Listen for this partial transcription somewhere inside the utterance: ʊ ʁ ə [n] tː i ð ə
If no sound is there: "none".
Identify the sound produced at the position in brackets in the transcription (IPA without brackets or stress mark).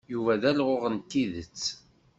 n